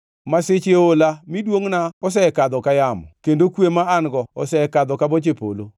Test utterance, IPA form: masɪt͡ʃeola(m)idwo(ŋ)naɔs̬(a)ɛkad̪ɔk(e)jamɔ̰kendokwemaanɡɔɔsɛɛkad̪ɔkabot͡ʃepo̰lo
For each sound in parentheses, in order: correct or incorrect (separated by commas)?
correct, correct, incorrect, incorrect